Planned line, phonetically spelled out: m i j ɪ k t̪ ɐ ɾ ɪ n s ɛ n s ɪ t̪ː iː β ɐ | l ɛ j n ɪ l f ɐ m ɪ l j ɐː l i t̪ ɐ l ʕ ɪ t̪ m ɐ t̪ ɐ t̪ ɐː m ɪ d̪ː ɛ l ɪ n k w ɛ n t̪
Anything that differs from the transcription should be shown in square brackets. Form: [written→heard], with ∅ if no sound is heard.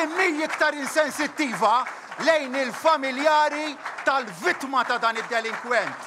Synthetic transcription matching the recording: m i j ɪ k t̪ ɐ ɾ ɪ n s ɛ n s ɪ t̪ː iː [β→v] ɐ | l ɛ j n ɪ l f ɐ m ɪ l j ɐː [l→ɾ] i t̪ ɐ l [ʕ→v] ɪ t̪ m ɐ t̪ ɐ [t̪→d̪] ɐː [m→n] ɪ d̪ː ɛ l ɪ [n→ŋ] k w ɛ n t̪